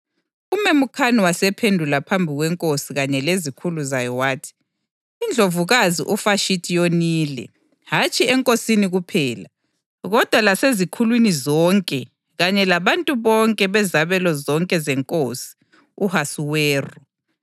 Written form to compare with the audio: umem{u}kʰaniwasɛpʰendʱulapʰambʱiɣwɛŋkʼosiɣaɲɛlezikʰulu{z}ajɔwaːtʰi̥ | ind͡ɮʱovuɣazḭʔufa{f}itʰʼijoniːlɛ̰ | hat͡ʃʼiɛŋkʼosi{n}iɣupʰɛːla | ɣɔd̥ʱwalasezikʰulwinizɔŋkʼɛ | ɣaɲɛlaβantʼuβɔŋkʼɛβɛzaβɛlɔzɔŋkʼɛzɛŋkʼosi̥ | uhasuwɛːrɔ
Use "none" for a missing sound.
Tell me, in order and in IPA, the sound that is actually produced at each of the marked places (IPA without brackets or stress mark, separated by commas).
u, z, ʃ, n